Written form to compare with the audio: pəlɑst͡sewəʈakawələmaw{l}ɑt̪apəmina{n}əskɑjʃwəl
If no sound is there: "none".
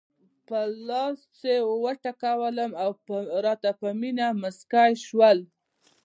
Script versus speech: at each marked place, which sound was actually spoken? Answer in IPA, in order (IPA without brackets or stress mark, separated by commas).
ɾ, m